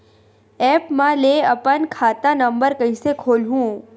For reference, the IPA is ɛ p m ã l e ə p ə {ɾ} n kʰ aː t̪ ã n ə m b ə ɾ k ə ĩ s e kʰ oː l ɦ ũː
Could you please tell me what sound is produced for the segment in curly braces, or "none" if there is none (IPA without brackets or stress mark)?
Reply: none